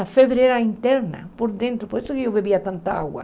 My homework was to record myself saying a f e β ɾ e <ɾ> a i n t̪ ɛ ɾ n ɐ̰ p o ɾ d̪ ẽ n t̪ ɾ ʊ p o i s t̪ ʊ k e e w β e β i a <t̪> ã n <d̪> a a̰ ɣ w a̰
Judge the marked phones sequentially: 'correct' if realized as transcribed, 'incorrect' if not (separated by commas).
correct, correct, incorrect